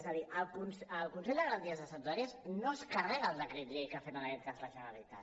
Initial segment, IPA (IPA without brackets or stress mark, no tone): z